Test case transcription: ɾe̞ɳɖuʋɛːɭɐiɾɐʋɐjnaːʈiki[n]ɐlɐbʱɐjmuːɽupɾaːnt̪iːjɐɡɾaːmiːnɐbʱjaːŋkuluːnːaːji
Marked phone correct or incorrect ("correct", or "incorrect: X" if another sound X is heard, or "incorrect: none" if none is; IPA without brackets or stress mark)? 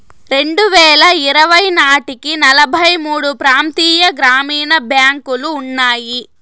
correct